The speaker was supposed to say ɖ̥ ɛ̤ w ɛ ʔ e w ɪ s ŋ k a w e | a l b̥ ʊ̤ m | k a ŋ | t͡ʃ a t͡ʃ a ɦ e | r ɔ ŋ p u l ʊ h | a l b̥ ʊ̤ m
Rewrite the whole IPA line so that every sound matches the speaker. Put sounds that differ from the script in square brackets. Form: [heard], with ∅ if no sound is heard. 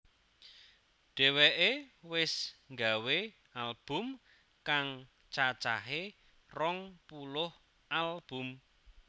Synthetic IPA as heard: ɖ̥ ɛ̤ w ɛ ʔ e w ɪ s ŋ [ɡ] a w e | a l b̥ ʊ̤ m | k a ŋ | t͡ʃ a t͡ʃ a ɦ e | r ɔ ŋ p u l ʊ h | a l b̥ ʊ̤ m